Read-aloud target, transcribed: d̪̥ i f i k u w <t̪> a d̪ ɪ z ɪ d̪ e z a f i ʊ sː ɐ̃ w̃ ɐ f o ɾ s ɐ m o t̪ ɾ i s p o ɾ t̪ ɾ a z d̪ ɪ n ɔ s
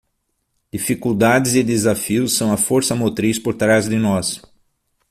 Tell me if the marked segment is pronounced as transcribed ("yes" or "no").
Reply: no